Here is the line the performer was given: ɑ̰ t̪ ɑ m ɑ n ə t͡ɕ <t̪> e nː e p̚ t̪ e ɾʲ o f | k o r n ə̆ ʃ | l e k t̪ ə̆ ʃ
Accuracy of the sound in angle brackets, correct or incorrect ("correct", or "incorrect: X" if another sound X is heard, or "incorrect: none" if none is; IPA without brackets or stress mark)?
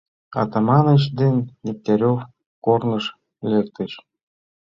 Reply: incorrect: d̪